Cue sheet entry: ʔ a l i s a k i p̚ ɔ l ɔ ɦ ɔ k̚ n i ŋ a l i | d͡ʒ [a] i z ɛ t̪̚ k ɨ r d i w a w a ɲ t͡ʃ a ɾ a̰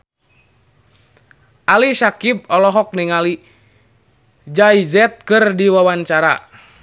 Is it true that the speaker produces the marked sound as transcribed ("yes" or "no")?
yes